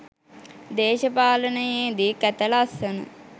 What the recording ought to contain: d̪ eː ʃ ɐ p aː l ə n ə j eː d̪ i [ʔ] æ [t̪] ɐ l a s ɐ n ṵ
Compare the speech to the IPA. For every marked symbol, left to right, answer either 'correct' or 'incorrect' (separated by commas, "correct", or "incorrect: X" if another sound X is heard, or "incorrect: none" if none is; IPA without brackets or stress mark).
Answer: incorrect: k, correct